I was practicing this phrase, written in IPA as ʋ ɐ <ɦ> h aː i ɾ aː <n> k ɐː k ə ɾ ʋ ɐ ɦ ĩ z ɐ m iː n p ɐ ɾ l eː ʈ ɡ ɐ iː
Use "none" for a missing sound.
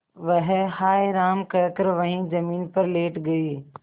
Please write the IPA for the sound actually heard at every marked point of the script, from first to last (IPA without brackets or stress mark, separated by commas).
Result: ɦ, m